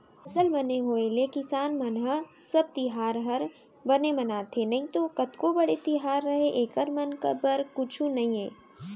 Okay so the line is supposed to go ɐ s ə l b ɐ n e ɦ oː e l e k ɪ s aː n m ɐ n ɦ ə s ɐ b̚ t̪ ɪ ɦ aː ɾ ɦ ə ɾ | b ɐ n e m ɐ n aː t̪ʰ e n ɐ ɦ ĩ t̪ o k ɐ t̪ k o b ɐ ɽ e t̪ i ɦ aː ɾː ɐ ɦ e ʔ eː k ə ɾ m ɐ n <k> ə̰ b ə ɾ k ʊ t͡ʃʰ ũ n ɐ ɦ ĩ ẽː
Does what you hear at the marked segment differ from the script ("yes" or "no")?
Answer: no